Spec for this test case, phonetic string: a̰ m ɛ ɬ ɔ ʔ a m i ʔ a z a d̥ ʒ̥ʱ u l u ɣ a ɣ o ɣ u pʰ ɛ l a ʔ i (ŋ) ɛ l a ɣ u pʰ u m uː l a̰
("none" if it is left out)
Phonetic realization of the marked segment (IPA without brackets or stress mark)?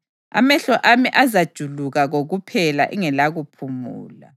ŋ